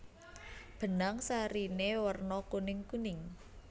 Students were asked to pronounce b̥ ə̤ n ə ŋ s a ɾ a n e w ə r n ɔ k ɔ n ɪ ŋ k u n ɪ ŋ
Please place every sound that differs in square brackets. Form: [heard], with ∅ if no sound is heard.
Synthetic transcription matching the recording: b̥ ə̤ n [a] ŋ s a ɾ [i] n e w ə r n ɔ k [u] n ɪ ŋ k u n ɪ ŋ